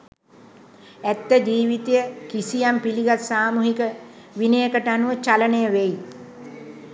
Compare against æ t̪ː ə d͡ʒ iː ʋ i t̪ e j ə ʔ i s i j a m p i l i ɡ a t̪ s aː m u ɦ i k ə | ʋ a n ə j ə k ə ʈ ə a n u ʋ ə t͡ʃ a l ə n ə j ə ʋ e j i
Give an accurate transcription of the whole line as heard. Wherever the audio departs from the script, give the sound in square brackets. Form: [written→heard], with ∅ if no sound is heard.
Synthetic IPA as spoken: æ t̪ː ə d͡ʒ iː ʋ i t̪ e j ə [ʔ→k] i s i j a m p i l i ɡ a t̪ s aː m u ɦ i k ə | ʋ [a→i] n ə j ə k ə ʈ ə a n u ʋ ə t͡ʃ a l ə n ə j ə ʋ e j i